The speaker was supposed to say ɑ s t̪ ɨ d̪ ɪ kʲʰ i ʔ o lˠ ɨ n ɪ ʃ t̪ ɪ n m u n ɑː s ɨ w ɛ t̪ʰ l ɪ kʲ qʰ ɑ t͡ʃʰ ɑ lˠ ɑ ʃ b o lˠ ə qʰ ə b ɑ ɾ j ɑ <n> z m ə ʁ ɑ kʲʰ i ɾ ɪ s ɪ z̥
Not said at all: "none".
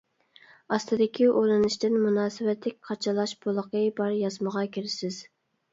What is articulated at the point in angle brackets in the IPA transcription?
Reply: none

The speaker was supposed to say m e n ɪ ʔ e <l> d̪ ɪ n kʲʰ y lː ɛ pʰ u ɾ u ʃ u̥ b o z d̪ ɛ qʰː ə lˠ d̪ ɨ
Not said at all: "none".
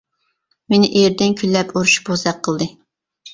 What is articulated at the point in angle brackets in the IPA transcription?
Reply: ɾ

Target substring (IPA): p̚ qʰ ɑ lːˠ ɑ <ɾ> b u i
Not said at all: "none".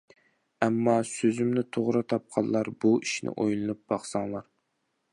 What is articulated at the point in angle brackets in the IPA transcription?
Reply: ɾ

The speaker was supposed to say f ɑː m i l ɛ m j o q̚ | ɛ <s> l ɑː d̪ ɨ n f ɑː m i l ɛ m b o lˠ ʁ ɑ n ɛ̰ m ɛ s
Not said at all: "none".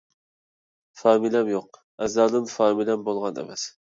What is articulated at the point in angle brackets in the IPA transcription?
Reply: z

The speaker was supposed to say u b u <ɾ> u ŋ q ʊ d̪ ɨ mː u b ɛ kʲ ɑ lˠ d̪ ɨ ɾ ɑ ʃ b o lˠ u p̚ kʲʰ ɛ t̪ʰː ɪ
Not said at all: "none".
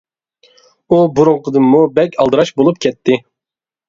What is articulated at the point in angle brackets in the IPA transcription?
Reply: ɾ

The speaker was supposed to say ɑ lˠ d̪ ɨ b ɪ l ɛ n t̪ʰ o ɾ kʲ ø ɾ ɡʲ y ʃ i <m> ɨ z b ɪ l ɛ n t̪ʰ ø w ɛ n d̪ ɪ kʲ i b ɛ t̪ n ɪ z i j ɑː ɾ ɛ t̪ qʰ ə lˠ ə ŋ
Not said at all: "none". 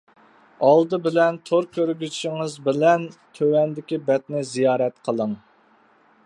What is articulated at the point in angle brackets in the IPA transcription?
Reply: ŋ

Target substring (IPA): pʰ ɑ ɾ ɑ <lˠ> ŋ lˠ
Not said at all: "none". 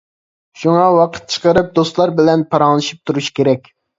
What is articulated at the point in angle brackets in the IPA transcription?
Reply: none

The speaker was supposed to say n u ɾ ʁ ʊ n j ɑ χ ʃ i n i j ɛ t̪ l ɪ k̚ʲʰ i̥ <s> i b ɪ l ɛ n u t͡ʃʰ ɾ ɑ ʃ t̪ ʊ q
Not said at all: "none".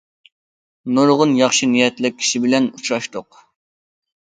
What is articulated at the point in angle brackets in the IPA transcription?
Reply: ʃ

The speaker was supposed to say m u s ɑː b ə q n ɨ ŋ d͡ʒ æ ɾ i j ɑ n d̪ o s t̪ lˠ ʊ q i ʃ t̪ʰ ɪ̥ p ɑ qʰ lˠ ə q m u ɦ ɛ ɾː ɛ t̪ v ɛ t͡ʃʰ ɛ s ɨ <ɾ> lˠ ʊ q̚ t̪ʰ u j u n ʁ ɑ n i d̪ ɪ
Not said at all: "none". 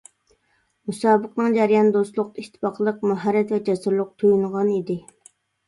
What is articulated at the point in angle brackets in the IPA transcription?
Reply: ɾ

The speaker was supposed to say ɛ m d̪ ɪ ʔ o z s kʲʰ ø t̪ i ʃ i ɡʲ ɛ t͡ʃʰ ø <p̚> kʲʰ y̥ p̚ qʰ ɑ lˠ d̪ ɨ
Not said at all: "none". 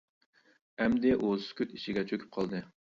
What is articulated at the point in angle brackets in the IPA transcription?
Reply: none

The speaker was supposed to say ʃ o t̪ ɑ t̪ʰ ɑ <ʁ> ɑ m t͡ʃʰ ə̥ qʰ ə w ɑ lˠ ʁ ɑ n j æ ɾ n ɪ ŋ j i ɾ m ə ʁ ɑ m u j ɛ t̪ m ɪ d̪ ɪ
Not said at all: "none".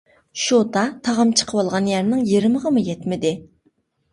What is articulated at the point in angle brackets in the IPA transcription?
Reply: ʁ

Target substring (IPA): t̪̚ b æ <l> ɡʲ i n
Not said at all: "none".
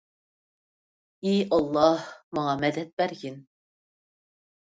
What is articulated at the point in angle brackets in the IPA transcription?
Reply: ɾ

